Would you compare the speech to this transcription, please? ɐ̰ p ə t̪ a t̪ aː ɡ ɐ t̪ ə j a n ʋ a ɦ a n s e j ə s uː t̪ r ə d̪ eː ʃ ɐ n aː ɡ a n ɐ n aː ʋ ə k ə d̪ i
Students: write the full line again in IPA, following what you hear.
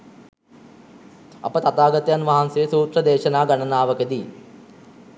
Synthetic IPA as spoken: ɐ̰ p ə t̪ a t̪ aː ɡ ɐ t̪ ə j a n ʋ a ɦ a n s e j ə s uː t̪ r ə d̪ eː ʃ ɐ n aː ɡ a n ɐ n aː ʋ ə k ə d̪ i

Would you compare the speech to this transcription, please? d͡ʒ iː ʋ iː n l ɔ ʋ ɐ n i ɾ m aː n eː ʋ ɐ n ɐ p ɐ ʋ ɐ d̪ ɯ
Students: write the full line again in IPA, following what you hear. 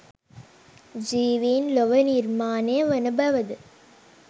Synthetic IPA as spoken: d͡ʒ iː ʋ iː n l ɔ ʋ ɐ n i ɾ m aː n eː ʋ ɐ n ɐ b ɐ ʋ ɐ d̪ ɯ

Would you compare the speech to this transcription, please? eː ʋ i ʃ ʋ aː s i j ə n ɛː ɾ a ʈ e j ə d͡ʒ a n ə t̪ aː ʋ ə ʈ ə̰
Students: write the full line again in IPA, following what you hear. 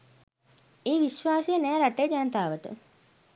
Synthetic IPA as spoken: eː ʋ i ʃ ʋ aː s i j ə n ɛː ɾ a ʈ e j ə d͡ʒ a n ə t̪ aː ʋ ə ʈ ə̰

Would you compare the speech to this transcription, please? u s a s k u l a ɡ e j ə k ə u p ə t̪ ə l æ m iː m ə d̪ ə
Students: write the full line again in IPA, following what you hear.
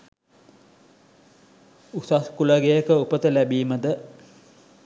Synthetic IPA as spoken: u s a s k u l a ɡ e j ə k ə u p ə t̪ ə l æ b iː m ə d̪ ə

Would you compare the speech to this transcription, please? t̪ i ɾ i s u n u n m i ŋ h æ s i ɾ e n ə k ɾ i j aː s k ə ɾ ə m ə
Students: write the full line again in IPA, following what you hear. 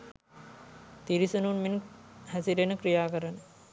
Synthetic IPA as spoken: t̪ i ɾ i s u n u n m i n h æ s i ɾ e n ə k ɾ i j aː k ə ɾ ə n ə

